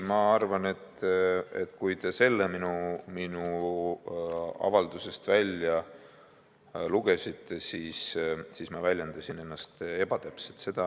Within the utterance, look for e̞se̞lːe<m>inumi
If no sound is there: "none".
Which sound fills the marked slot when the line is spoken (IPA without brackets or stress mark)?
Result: m